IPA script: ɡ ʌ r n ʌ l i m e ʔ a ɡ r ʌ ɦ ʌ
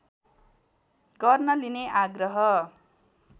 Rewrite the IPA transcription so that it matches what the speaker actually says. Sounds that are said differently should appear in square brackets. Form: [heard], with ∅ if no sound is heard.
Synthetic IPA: ɡ ʌ r n ʌ l i [n] e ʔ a ɡ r ʌ ɦ ʌ